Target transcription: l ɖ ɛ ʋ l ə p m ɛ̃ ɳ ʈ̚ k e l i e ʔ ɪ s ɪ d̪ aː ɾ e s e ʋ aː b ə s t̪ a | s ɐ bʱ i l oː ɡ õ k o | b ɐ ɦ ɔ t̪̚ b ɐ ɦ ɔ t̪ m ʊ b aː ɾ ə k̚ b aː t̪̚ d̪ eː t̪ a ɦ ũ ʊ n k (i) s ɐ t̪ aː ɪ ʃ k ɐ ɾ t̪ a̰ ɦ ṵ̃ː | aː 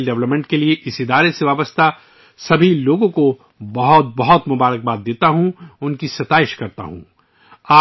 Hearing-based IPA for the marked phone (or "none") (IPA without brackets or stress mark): i